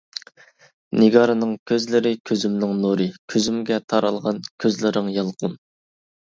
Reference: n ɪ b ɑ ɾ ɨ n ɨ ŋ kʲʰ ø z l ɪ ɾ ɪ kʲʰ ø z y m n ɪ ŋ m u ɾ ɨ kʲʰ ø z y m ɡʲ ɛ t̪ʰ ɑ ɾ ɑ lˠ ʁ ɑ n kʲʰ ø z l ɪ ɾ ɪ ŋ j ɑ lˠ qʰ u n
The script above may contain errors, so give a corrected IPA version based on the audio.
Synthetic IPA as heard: n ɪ ɡ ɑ ɾ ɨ n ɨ ŋ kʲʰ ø z l ɪ ɾ ɪ kʲʰ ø z y m n ɪ ŋ n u ɾ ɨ kʲʰ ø z y m ɡʲ ɛ t̪ʰ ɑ ɾ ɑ lˠ ʁ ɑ n kʲʰ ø z l ɪ ɾ ɪ ŋ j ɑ lˠ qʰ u n